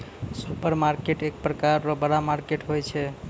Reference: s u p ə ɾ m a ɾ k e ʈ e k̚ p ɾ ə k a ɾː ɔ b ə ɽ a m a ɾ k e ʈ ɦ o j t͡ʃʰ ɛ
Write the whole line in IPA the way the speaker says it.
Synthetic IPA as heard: s u p ə ɾ m a ɾ k e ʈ e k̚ p ɾ ə k a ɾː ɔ b ə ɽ a m a ɾ k e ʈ ɦ o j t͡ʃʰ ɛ